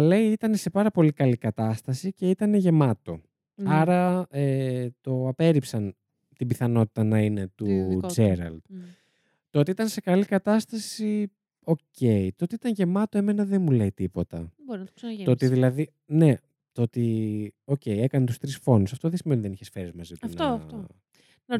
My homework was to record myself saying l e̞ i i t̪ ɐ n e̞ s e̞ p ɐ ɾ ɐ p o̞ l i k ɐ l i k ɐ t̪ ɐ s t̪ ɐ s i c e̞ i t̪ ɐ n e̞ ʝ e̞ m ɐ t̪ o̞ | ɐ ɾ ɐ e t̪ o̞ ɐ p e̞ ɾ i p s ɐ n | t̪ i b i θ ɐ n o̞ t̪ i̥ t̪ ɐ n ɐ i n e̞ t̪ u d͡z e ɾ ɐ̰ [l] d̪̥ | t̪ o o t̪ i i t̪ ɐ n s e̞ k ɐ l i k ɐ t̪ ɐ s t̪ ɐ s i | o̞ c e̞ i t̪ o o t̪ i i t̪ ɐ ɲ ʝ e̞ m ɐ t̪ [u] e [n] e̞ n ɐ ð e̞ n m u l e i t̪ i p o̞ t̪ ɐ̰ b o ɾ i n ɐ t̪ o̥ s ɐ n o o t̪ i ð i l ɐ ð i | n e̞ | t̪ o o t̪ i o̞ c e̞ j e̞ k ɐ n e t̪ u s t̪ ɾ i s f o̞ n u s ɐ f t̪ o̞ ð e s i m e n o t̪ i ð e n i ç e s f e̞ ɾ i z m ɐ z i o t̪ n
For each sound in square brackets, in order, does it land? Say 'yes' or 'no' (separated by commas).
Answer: yes, no, no